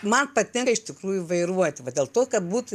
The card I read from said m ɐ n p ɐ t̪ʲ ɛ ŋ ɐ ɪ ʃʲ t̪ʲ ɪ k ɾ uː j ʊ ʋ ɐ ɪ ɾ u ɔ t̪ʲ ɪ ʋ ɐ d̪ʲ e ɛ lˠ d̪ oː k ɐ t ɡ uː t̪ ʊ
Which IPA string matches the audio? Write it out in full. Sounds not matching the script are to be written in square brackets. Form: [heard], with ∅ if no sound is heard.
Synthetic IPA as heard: m ɐ n p ɐ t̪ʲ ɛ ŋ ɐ ɪ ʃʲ t̪ʲ ɪ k ɾ uː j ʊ ʋ ɐ ɪ ɾ u ɔ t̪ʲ ɪ ʋ ɐ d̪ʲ e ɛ lˠ [t̪] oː k ɐ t [b] uː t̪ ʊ